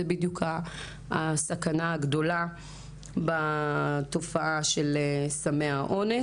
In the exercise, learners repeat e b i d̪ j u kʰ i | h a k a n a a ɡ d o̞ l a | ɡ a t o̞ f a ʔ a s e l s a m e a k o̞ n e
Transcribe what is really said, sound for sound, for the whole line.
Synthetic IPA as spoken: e b i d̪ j u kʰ a | s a k a n a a ɡ d o̞ l a | b a t o̞ f a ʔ a ʃ e l s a m e a ʔ o̞ n e